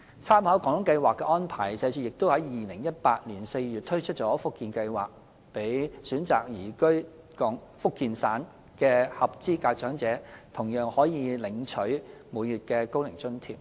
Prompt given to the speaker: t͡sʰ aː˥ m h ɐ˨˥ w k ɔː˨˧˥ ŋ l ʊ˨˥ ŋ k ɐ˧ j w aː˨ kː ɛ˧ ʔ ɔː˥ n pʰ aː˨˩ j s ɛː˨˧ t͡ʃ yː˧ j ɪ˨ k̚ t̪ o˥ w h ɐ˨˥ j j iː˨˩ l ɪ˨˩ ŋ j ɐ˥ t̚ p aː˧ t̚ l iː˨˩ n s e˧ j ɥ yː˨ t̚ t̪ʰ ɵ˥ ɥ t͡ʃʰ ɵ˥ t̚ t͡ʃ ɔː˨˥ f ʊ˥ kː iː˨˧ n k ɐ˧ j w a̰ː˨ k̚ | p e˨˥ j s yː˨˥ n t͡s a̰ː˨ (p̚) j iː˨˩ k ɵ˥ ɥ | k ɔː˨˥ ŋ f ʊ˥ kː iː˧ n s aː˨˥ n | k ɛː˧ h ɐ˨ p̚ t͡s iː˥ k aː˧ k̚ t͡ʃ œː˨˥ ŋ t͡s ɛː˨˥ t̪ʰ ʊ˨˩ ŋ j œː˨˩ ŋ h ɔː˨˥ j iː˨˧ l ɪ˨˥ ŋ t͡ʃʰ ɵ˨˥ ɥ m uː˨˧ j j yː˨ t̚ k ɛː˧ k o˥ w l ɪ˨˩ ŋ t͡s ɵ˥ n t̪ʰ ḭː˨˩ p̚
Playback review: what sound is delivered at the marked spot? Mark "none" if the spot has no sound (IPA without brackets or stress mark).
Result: k̚